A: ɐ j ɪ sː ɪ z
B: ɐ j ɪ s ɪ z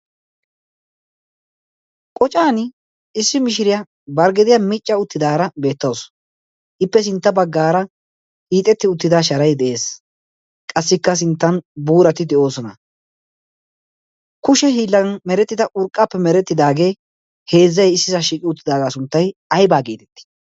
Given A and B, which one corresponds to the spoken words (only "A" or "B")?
A